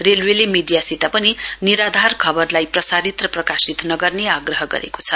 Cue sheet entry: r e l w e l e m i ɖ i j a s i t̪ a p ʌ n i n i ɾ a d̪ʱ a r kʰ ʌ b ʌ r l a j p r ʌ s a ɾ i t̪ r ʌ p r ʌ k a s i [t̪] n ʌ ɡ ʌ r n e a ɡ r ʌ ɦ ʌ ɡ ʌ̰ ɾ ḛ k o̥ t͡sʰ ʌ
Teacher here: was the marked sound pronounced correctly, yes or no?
yes